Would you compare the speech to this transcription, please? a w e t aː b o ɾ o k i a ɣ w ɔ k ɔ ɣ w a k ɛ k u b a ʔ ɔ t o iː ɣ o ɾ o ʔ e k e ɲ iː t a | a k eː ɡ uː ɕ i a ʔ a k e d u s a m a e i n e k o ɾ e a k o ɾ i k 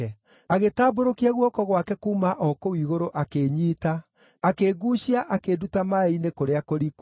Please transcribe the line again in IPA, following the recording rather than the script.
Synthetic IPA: a ɣ e t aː b o ɾ o k i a ɣ w ɔ k ɔ ɣ w a k ɛ k u m a ʔ ɔ k o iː ɣ o ɾ o ʔ a k e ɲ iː t a | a k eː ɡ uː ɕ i a ʔ a k e d u t a m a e i n e k o ɾ e a k o ɾ i k